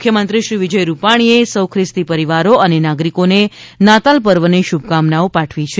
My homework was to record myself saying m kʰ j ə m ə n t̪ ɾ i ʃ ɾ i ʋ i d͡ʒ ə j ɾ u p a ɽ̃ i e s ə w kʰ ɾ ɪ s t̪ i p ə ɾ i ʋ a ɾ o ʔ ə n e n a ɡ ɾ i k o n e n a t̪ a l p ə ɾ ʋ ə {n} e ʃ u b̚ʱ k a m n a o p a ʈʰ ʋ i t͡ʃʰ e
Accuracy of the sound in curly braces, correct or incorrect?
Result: correct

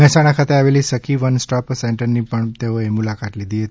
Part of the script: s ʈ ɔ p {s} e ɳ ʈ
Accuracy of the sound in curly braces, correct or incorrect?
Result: correct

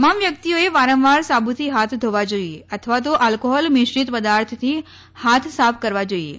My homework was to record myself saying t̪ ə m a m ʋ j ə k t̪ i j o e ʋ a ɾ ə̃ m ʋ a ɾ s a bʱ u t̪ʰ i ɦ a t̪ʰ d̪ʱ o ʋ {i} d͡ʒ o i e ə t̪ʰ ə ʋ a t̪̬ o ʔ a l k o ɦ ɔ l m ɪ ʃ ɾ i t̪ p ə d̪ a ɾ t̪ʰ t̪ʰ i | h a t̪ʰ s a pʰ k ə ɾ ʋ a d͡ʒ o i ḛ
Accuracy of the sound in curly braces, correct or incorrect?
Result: incorrect: a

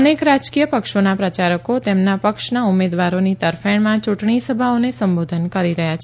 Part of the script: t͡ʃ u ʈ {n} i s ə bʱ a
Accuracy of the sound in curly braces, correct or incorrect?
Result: incorrect: ɳ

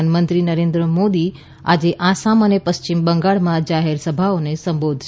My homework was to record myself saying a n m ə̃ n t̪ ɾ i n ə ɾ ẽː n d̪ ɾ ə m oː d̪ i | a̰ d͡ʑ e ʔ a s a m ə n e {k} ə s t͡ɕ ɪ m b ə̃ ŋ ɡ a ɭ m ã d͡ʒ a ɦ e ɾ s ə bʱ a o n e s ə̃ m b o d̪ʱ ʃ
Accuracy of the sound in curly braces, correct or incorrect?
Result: incorrect: p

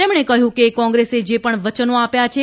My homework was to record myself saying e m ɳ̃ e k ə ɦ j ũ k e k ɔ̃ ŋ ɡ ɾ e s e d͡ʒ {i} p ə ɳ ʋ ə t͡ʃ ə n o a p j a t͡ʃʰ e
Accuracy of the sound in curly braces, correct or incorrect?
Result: incorrect: e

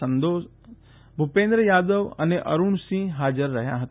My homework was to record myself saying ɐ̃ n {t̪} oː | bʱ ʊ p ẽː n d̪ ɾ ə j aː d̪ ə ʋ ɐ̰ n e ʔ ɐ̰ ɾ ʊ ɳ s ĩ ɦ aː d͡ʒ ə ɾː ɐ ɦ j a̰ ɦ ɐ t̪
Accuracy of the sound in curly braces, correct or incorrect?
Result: incorrect: d̪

